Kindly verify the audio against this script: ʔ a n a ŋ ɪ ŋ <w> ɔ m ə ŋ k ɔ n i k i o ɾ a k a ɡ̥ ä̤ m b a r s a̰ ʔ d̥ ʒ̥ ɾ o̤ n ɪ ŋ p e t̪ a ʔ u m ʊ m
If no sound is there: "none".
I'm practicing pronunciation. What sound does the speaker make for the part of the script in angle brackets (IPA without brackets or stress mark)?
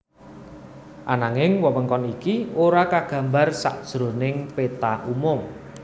w